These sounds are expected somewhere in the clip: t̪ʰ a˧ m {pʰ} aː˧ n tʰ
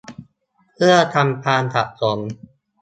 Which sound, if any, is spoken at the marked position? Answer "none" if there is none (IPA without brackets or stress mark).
pʰ